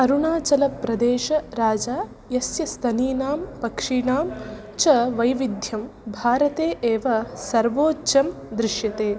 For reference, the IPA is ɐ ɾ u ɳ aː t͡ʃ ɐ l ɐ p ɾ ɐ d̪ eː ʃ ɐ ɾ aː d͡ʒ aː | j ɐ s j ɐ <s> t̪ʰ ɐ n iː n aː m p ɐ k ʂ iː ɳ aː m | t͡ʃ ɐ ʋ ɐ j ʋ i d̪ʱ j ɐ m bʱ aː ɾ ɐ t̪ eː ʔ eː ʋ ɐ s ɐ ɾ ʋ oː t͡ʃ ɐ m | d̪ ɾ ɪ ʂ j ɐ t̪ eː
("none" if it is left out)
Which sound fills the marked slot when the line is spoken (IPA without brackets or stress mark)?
s